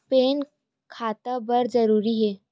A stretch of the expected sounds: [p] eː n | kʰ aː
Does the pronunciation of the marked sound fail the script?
no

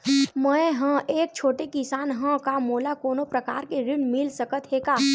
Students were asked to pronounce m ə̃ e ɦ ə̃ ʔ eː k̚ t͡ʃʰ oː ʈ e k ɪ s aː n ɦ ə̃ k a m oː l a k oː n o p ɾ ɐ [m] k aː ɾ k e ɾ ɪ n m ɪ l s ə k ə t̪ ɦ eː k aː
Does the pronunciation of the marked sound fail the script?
yes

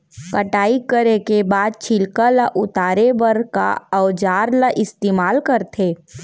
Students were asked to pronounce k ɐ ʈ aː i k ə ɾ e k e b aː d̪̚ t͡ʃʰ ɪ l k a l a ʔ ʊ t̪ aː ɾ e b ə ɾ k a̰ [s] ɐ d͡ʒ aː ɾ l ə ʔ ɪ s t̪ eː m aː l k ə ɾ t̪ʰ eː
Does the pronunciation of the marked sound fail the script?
yes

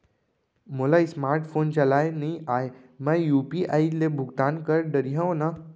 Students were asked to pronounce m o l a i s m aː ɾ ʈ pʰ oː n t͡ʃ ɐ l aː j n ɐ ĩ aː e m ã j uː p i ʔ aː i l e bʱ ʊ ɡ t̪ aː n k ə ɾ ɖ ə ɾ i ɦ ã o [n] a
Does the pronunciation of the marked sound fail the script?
no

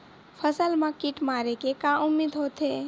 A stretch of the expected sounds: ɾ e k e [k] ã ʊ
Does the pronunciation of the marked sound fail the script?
no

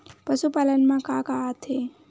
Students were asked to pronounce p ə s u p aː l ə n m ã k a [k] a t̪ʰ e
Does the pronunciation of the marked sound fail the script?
no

